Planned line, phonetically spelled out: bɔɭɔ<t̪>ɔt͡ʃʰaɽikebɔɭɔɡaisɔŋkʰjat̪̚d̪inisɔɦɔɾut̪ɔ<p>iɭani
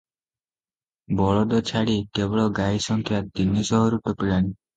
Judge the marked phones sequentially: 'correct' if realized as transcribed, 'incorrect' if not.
incorrect: d̪, correct

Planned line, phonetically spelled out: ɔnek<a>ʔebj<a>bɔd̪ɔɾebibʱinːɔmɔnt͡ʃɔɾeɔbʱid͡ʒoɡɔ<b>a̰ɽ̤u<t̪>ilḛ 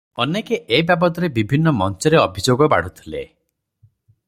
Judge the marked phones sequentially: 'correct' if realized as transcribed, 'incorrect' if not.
incorrect: e, correct, correct, incorrect: t̪ʰ

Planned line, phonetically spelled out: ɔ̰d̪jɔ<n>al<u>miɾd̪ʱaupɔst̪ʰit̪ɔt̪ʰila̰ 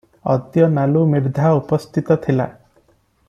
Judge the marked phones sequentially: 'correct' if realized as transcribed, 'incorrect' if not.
correct, correct

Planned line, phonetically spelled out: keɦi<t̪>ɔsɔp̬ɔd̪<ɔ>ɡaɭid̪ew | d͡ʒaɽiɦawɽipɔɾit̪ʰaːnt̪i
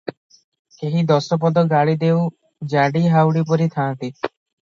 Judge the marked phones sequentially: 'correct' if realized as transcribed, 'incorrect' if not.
incorrect: d̪, correct

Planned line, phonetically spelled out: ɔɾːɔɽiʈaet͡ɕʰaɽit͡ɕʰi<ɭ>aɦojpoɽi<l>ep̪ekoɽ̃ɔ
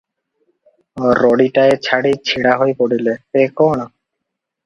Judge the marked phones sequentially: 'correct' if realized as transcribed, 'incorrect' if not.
incorrect: ɽ, correct

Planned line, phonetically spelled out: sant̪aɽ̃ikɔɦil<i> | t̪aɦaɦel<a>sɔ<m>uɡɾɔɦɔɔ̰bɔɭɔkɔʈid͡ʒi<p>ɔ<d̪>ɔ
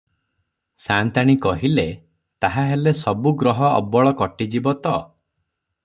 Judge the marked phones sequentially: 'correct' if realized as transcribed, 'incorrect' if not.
incorrect: e, incorrect: e, incorrect: b, incorrect: b, incorrect: t̪

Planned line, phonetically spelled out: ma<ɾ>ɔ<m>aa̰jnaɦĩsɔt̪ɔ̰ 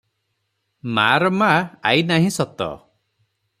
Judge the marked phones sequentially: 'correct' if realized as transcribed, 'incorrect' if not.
correct, correct

